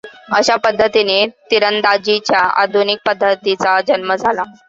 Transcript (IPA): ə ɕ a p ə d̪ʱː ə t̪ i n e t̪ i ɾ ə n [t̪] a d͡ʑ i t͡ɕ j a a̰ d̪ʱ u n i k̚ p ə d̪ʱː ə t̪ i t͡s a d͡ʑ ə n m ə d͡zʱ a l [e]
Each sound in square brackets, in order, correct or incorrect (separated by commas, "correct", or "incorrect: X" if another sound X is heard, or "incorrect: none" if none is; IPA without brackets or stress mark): incorrect: d̪, incorrect: a